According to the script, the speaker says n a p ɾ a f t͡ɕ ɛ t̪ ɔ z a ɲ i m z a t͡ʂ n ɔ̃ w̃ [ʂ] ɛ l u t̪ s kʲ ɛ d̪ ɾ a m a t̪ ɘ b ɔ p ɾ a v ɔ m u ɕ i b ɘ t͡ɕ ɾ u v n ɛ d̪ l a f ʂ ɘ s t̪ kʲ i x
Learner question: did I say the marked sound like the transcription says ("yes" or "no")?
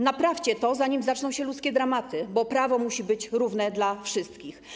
no